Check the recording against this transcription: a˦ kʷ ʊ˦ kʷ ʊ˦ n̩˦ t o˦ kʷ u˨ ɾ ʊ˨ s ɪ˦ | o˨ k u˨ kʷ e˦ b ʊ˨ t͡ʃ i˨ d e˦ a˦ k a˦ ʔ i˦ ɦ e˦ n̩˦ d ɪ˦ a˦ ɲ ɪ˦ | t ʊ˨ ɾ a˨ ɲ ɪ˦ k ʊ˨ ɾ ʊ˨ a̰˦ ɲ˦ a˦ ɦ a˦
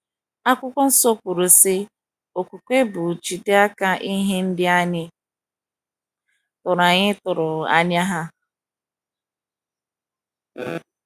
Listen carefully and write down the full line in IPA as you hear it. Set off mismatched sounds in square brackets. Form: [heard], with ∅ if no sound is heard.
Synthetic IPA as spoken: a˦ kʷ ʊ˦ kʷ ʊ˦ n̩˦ [s] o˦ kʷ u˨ ɾ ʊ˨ s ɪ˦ | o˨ k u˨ kʷ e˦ b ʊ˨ t͡ʃ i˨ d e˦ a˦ k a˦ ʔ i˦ ɦ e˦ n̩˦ d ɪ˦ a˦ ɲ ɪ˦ | t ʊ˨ ɾ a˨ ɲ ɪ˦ [t] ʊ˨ ɾ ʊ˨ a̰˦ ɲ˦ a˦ ɦ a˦